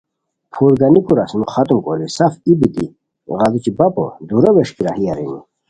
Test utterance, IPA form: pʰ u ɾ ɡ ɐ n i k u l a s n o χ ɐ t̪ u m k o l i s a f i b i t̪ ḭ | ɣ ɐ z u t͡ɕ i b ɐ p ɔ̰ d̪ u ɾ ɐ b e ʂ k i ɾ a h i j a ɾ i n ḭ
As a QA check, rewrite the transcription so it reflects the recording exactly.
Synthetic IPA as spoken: pʰ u ɾ ɡ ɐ n i k u ɾ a s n u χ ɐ t̪ u m k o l i s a f i b i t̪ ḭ | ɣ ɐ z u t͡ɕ i b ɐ p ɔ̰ d̪ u ɾ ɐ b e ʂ k i ɾ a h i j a ɾ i n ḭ